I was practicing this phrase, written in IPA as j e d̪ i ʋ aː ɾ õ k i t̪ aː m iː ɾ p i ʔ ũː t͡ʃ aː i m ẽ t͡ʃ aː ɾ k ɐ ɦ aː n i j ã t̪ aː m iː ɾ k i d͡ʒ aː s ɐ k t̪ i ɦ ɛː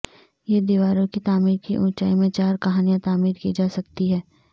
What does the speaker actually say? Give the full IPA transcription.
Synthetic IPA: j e d̪ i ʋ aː ɾ õ k i t̪ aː m iː ɾ k i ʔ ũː t͡ʃ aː i m ẽ t͡ʃ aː ɾ k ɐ ɦ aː n i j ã t̪ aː m iː ɾ k i d͡ʒ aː s ɐ k t̪ i ɦ ɛː